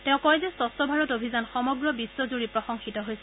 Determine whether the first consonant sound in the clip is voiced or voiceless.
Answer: voiceless